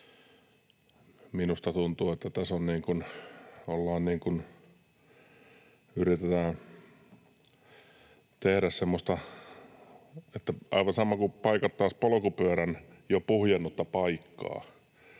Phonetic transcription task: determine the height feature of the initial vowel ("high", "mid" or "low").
high